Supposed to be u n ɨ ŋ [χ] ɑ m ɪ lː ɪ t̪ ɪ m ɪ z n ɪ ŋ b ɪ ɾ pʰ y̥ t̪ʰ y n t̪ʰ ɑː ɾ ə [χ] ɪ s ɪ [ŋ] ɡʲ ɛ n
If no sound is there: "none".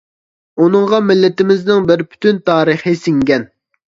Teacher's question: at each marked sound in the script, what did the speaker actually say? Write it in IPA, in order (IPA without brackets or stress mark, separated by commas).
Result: ʁ, χ, ŋ